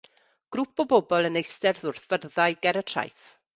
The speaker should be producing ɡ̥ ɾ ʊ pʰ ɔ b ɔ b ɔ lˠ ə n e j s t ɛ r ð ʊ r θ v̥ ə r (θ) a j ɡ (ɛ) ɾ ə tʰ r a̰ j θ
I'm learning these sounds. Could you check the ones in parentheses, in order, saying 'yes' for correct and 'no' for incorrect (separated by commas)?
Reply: no, yes